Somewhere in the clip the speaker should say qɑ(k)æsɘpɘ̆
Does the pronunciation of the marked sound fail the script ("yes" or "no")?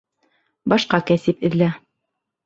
no